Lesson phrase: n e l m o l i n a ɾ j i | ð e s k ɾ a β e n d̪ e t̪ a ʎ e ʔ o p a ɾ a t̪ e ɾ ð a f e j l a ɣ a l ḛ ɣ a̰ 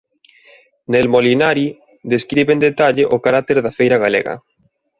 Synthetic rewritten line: n e l m o l i n a ɾ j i | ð e s k ɾ i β e n d̪ e t̪ a ʎ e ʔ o k a ɾ a t̪ e ɾ ð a f e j ɾ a ɣ a l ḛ ɣ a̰